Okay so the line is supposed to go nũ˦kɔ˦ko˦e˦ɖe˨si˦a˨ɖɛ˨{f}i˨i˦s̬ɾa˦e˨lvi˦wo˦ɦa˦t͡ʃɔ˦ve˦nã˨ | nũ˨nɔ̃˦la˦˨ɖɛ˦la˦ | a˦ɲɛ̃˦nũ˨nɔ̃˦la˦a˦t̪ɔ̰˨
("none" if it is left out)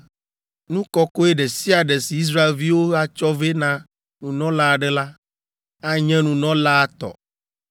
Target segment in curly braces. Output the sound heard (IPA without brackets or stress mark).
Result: s